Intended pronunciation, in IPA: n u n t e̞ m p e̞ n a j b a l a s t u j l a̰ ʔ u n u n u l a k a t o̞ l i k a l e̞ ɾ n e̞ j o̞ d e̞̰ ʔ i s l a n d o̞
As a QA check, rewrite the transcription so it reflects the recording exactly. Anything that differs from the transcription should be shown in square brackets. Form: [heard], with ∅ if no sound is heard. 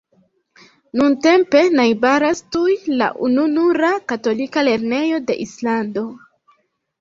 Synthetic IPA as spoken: n u n t e̞ m p e̞ n a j b a [ɾ] a s t u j l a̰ ʔ u n u n u [ɾ] a k a t o̞ l i k a l e̞ ɾ n e̞ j o̞ d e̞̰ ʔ i s l a n d o̞